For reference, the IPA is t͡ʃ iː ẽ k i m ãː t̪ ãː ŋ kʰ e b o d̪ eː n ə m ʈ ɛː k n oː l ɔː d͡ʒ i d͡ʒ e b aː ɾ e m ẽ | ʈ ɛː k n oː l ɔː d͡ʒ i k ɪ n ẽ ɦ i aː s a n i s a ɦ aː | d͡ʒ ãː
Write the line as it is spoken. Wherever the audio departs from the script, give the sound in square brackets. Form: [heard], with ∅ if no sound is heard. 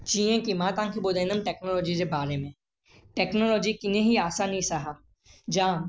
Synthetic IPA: t͡ʃ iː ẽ k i m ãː t̪ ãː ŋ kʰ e b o d̪ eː n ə m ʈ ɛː k n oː l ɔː d͡ʒ i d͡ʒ e b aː ɾ e m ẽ | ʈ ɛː k n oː l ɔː d͡ʒ i k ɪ n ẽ ɦ i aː s a n i s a ɦ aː | d͡ʒ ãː